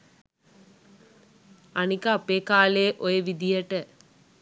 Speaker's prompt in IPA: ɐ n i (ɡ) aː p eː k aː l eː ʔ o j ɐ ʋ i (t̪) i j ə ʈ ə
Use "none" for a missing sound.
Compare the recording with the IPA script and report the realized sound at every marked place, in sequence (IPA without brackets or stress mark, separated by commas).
k, d̪